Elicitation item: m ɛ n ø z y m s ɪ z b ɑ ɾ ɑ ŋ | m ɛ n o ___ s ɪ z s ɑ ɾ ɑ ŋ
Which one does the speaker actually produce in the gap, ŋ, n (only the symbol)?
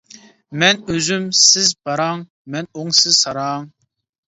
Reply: ŋ